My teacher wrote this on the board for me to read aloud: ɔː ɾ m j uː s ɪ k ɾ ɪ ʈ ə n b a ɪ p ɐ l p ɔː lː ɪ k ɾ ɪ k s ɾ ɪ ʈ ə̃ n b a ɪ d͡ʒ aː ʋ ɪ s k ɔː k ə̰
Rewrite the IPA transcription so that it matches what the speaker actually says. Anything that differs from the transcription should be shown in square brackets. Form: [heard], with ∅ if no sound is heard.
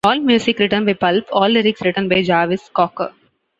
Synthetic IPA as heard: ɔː [l] m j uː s ɪ k ɾ ɪ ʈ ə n b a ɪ p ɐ l p ɔː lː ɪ [∅] ɾ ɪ k s ɾ ɪ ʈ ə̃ n b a ɪ d͡ʒ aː ʋ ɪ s k ɔː k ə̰